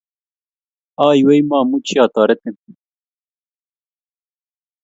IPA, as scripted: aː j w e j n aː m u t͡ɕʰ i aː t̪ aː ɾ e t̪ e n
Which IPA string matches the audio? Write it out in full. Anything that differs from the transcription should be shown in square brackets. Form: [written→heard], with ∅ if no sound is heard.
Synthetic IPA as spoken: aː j w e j [n→m] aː m u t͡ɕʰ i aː t̪ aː ɾ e t̪ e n